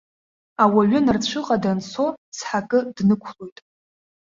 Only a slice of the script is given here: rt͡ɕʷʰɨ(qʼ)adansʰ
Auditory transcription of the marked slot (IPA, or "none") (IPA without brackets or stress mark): qʼ